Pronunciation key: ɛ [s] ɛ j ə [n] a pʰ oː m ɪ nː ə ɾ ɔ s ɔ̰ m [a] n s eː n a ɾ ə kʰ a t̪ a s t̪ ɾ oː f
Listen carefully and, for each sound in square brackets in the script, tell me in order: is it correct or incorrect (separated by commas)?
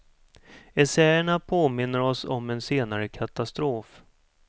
correct, incorrect, incorrect